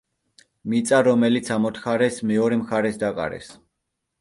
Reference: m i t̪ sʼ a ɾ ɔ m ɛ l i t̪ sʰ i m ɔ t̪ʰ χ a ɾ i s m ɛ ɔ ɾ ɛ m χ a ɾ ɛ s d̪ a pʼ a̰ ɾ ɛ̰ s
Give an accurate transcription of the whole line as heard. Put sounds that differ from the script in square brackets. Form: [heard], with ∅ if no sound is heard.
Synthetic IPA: m i t̪ sʼ a ɾ ɔ m ɛ l i t̪ sʰ [a] m ɔ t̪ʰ χ a ɾ [ɛ] s m ɛ ɔ ɾ ɛ m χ a ɾ ɛ s d̪ a [kʼ] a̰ ɾ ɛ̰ s